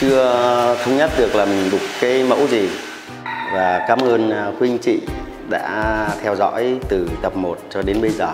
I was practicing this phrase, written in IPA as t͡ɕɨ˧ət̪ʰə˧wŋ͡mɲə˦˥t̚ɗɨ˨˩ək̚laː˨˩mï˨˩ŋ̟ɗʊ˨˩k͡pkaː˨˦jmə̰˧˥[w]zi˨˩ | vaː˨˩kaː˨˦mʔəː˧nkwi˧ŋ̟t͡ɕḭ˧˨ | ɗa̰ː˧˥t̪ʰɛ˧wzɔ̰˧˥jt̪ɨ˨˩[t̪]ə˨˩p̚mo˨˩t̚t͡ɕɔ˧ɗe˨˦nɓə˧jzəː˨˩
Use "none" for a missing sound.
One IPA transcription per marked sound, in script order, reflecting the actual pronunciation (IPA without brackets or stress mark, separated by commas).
w, t̪